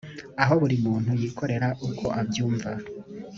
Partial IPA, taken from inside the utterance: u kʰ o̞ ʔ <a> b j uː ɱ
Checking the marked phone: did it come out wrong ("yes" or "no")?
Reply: no